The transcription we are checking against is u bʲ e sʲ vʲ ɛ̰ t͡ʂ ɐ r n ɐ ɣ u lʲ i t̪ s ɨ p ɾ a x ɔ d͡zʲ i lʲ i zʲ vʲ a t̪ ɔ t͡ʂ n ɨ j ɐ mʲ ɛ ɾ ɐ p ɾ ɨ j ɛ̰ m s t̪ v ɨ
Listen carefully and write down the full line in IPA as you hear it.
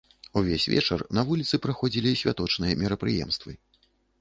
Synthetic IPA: u vʲ e sʲ vʲ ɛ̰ t͡ʂ ɐ r n ɐ v u lʲ i t̪ s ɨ p ɾ a x ɔ d͡zʲ i lʲ i sʲ vʲ a t̪ ɔ t͡ʂ n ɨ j ɐ mʲ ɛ ɾ ɐ p ɾ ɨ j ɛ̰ m s t̪ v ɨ